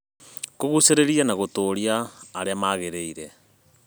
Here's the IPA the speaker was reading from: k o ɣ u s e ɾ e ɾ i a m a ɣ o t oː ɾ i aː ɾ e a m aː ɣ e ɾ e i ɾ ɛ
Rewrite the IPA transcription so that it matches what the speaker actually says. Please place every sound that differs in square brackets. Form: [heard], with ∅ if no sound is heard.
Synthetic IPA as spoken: k o ɣ u s e ɾ e ɾ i a [n] a ɣ o t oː ɾ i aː ɾ e a m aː ɣ e ɾ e i ɾ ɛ